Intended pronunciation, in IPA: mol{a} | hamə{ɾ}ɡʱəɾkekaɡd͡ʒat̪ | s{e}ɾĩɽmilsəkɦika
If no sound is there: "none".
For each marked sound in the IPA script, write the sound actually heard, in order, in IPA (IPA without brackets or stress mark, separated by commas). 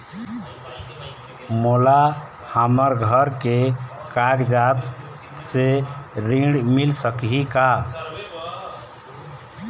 a, ɾ, e